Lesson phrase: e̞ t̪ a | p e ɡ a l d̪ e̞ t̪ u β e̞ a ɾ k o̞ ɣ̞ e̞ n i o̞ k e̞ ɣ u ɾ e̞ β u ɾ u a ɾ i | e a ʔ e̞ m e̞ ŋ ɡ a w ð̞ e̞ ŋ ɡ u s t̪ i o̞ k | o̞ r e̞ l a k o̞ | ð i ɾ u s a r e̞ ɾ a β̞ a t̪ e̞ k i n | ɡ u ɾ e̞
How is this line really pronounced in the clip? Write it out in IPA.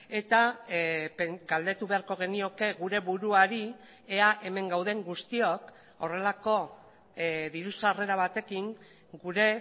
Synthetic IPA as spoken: e̞ t̪ a | p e ɡ a l d̪ e̞ t̪ u β e̞ a ɾ k o̞ ɣ̞ e̞ n i o̞ k e̞ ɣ u ɾ e̞ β u ɾ u a ɾ i | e a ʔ e̞ m e̞ ŋ ɡ a w ð̞ e̞ ŋ ɡ u s t̪ i o̞ k | o̞ r e̞ l a k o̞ | ð i ɾ u s a r e̞ ɾ a β̞ a t̪ e̞ k i ŋ | ɡ u ɾ e̞